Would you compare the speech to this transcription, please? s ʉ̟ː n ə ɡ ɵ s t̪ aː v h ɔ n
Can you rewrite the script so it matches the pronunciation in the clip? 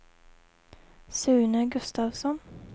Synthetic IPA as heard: s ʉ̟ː n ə ɡ ɵ s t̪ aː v s ɔ n